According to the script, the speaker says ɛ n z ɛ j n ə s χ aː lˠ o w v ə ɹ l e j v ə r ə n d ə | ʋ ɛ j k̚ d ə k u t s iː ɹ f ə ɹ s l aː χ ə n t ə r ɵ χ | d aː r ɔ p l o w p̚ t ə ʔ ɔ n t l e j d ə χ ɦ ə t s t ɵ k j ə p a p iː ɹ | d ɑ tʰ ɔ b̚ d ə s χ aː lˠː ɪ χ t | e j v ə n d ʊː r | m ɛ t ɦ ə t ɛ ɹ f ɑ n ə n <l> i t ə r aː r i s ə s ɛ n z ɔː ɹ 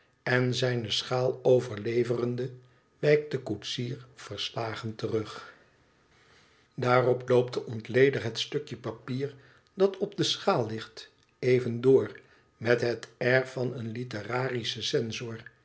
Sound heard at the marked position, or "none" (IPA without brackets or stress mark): l